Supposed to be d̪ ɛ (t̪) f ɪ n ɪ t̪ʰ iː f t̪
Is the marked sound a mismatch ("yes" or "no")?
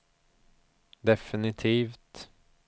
yes